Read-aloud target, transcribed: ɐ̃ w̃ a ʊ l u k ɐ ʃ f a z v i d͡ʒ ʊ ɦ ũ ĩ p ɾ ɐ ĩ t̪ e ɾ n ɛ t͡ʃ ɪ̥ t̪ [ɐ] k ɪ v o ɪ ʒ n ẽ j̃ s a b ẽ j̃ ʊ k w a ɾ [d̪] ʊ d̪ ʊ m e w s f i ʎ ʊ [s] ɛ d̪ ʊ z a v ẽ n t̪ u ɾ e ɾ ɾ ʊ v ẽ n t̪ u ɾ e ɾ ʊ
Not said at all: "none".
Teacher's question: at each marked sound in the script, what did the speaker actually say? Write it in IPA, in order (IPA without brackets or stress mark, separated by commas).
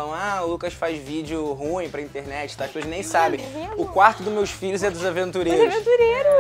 a, t̪, z